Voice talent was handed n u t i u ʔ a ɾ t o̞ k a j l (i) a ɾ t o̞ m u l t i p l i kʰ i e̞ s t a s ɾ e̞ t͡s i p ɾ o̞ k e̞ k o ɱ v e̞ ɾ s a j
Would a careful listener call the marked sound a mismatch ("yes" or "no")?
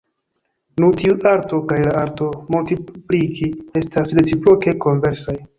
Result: yes